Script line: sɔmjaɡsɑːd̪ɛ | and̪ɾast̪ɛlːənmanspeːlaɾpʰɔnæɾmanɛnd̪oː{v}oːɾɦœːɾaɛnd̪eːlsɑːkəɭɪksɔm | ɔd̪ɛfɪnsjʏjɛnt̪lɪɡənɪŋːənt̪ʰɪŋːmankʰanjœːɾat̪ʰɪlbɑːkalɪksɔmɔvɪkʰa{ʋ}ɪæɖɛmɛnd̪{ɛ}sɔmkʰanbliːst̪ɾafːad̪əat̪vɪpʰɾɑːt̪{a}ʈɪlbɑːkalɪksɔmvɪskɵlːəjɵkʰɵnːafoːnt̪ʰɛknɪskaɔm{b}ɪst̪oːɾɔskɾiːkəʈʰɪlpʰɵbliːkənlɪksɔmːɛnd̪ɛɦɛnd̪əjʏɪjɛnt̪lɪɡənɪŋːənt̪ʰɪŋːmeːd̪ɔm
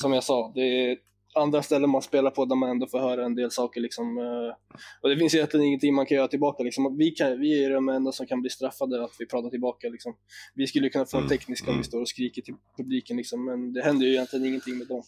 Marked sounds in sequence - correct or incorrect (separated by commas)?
incorrect, incorrect, incorrect, correct, incorrect